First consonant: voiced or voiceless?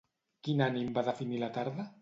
voiceless